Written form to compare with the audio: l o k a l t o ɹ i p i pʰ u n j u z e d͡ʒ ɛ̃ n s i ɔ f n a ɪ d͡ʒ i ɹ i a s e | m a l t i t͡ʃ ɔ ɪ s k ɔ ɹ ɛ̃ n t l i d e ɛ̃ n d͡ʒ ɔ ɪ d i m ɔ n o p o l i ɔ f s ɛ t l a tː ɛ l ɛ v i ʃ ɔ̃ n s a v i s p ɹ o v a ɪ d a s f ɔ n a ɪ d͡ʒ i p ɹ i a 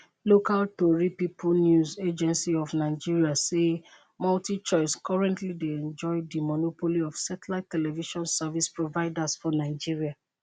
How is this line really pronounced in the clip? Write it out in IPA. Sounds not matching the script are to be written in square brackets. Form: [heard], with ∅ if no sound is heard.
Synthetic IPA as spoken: l o k a l t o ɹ i p i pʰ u n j u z e d͡ʒ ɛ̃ n s i ɔ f n a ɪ d͡ʒ i ɹ i a s e | m a l t i t͡ʃ ɔ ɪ s k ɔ ɹ ɛ̃ n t l i d e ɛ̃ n d͡ʒ ɔ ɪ d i m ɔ n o p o l i ɔ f s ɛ t l a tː ɛ l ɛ v i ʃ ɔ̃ n s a v i s p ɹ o v a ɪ d a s f ɔ n a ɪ d͡ʒ i [∅] ɹ i a